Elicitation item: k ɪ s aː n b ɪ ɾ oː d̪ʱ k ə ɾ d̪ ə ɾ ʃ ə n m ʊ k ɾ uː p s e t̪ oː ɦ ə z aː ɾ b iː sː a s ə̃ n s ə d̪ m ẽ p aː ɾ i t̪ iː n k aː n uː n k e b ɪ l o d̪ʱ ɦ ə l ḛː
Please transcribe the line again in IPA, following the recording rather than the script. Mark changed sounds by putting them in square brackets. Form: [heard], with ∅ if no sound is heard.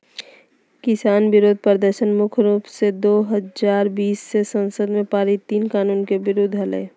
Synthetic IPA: k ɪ s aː n b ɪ ɾ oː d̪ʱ [p] ə ɾ d̪ ə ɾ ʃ ə n m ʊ [kʰ] ɾ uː p s e [d̪] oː ɦ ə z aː ɾ b iː sː [e] s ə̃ n s ə d̪ m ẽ p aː ɾ i t̪ iː n k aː n uː n k e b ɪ [ɾ] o d̪ʱ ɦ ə l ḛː